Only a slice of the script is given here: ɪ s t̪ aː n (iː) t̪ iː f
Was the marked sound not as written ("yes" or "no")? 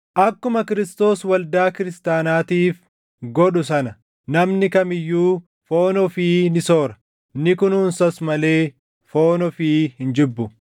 yes